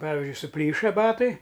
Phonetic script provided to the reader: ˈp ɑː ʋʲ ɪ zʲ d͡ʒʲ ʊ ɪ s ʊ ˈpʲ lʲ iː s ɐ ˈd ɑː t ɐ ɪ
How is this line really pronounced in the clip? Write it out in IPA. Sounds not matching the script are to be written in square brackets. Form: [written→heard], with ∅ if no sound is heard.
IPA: ˈp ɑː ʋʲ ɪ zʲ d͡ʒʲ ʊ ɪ s ʊ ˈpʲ lʲ iː [s→ʃ] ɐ [ˈd→ˈb] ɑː t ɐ ɪ